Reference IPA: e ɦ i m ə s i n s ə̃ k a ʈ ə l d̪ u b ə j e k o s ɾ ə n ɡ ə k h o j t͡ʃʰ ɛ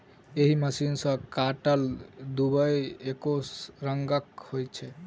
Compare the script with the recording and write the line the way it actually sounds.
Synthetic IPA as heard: e ɦ i m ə s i n s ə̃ k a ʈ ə l d̪ u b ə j e k o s ɾ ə ŋ ɡ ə k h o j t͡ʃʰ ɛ